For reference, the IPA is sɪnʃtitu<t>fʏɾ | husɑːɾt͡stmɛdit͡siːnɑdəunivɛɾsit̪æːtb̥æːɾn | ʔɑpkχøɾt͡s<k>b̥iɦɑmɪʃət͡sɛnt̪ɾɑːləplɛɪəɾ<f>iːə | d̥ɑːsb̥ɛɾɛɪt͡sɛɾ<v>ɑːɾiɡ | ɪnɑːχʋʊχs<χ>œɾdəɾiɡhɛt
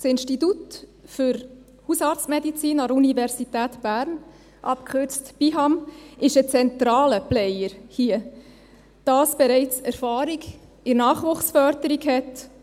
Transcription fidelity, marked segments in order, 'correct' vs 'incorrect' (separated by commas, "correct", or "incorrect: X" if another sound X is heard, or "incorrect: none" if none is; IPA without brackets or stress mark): correct, incorrect: t, incorrect: h, incorrect: f, incorrect: f